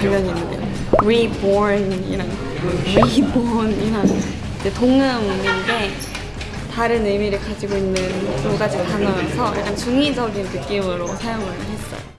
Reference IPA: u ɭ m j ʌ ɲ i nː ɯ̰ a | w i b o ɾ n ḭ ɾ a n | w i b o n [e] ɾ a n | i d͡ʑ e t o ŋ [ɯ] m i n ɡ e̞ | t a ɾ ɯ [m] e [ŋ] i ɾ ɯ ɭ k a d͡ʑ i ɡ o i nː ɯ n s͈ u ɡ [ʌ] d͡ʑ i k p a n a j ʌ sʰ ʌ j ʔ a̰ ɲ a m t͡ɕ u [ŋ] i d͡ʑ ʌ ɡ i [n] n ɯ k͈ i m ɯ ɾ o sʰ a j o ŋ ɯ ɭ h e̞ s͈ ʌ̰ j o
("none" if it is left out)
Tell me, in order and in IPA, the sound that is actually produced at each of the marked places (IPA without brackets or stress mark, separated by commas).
i, ɯ, n, m, a, ŋ, n